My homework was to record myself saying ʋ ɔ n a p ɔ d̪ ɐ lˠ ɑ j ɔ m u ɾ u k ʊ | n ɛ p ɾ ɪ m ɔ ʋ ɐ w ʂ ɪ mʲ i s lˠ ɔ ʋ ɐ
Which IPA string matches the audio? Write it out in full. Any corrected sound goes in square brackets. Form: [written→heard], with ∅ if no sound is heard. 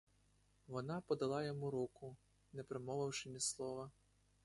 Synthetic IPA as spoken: ʋ ɔ n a p ɔ d̪ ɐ lˠ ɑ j ɔ m u ɾ u k ʊ | n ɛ p ɾ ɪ m ɔ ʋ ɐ w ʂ ɪ mʲ i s lˠ ɔ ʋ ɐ